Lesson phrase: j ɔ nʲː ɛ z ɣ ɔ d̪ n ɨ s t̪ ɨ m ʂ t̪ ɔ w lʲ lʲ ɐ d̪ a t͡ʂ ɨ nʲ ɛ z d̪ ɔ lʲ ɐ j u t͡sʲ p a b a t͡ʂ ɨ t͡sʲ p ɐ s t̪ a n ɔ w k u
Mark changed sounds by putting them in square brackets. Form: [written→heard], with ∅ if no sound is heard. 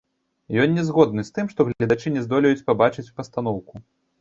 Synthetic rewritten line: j ɔ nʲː ɛ z ɣ ɔ d̪ n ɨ s t̪ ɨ m ʂ t̪ ɔ [w→ɣ] lʲ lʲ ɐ d̪ a t͡ʂ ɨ nʲ ɛ z d̪ ɔ lʲ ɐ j u t͡sʲ p a b a t͡ʂ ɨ t͡sʲ p ɐ s t̪ a n ɔ w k u

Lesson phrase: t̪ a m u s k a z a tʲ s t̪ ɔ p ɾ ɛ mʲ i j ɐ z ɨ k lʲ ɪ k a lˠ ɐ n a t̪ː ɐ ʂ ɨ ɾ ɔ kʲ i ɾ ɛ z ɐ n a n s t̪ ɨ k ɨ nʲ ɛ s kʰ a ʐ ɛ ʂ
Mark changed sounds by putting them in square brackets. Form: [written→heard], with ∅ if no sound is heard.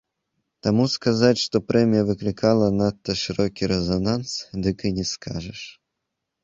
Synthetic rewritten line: t̪ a m u s k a z a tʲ [s→ʂ] t̪ ɔ p ɾ ɛ mʲ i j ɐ [z→v] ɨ k lʲ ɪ k a lˠ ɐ n a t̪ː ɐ ʂ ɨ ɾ ɔ kʲ i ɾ ɛ z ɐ n a n s [t̪→d̪] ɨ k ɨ nʲ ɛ s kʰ a ʐ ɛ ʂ

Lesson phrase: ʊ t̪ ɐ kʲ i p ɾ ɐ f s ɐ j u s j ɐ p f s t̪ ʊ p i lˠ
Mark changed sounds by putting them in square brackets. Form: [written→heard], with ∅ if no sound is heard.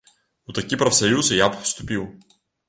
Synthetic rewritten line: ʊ t̪ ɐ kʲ i p ɾ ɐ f s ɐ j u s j [ɐ→a] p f s t̪ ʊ p i lˠ

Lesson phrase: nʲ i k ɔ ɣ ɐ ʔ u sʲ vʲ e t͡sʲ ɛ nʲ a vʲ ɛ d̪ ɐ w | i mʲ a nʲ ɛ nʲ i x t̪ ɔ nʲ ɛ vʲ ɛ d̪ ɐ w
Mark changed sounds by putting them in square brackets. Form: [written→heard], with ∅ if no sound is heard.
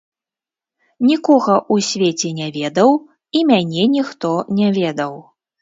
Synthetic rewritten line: nʲ i k ɔ ɣ ɐ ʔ u sʲ vʲ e t͡sʲ ɛ nʲ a vʲ ɛ d̪ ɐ w | i mʲ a nʲ ɛ nʲ i x t̪ ɔ nʲ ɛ vʲ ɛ d̪ ɐ w

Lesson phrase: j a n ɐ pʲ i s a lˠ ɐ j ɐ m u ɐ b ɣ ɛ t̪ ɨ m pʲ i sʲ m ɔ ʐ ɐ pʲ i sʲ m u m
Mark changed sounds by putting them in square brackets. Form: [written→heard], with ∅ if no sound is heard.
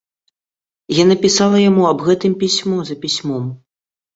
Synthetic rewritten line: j a n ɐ pʲ i s a lˠ ɐ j [ɐ→a] m u ɐ b ɣ ɛ t̪ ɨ m pʲ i sʲ m ɔ [ʐ→z] ɐ pʲ i sʲ m [u→ɔ] m

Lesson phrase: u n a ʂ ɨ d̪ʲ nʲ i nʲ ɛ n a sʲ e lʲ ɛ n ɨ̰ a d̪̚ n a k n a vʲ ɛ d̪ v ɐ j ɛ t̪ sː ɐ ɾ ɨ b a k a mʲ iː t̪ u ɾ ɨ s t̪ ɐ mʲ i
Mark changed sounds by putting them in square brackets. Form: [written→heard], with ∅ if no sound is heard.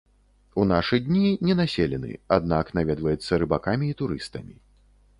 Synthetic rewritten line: u n a ʂ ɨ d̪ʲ nʲ i nʲ ɛ n a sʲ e lʲ ɛ n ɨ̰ a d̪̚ n a k n a vʲ ɛ d̪ v ɐ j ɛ t̪ sː ɐ ɾ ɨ b a k a mʲ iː t̪ u ɾ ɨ s t̪ ɐ mʲ i

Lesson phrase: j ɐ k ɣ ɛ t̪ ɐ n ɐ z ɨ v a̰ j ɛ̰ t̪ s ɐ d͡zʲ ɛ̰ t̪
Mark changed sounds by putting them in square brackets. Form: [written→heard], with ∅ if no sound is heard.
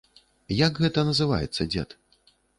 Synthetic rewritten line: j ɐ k ɣ ɛ t̪ ɐ n ɐ z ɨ v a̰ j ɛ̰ t̪ [s→sː] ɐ d͡zʲ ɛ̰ t̪

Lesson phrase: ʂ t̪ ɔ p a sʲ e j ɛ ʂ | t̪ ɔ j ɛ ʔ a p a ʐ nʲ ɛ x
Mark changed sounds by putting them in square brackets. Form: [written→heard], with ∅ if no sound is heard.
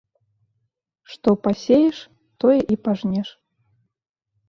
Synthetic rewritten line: ʂ t̪ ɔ p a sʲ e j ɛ ʂ | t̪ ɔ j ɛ ʔ [a→i] p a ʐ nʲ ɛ [x→ʂ]

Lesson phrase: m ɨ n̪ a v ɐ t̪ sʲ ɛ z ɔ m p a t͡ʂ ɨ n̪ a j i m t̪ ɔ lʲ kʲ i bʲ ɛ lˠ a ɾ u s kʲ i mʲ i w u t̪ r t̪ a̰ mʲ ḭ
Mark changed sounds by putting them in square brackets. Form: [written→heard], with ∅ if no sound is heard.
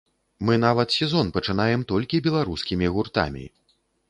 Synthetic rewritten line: m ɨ n̪ a v ɐ t̪ sʲ ɛ z ɔ [m→n] p [a→ɐ] t͡ʂ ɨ n̪ a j [i→ɛ] m t̪ ɔ lʲ kʲ i bʲ ɛ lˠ a ɾ u s kʲ i mʲ i [w→ɣ] u [t̪→∅] r t̪ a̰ mʲ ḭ

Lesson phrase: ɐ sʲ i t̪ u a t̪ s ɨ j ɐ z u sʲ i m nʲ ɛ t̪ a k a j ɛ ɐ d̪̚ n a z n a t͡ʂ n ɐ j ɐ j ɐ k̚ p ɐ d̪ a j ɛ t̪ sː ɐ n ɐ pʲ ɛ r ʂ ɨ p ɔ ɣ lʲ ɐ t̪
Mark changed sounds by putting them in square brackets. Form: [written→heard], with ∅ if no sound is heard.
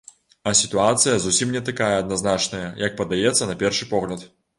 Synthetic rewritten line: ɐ sʲ i t̪ u a t̪ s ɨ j ɐ z u sʲ i m nʲ ɛ t̪ a k a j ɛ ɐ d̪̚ n a z n a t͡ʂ n ɐ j ɐ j ɐ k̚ p ɐ d̪ a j ɛ t̪ sː ɐ n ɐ pʲ ɛ r ʂ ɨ p ɔ ɣ lʲ ɐ t̪

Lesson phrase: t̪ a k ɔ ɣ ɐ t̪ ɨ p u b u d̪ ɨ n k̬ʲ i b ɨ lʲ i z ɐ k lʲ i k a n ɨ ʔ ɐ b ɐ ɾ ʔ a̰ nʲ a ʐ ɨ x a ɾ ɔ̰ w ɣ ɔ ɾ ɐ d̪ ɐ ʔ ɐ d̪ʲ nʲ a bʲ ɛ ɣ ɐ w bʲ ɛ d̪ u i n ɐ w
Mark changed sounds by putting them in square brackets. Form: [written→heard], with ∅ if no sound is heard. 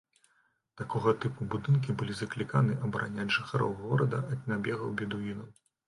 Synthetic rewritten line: t̪ a k ɔ ɣ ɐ t̪ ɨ p u b u d̪ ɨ n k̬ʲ i b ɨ lʲ i z ɐ k lʲ i k a n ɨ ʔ ɐ b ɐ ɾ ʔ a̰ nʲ a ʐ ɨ x a ɾ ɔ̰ w ɣ ɔ ɾ ɐ d̪ ɐ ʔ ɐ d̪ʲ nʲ a bʲ ɛ ɣ ɐ w bʲ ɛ d̪ u i n ɐ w

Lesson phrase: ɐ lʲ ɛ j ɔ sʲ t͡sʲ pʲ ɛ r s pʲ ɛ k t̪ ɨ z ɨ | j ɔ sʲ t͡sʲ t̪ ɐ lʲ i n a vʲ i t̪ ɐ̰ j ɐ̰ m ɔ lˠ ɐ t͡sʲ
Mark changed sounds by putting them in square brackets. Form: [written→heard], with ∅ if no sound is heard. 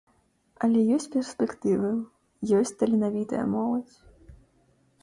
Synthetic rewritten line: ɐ lʲ ɛ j ɔ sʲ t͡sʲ pʲ ɛ r s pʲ ɛ k t̪ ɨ [z→v] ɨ | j ɔ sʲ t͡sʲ t̪ ɐ lʲ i n a vʲ i t̪ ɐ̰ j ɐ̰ m ɔ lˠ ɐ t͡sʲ

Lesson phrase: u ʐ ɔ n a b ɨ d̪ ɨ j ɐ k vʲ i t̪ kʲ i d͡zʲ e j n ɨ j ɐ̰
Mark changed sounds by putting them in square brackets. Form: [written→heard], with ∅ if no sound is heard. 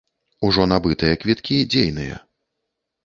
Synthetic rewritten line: u ʐ ɔ n a b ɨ [d̪→t̪] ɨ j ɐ k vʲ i t̪ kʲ i d͡zʲ e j n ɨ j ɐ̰

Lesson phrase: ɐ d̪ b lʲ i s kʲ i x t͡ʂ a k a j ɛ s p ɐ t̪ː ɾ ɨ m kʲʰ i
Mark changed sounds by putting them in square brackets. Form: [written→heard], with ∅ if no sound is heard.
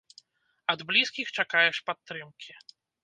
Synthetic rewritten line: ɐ d̪ b lʲ i s kʲ i x t͡ʂ a k a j ɛ [s→ʂ] p [ɐ→a] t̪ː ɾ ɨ m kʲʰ i

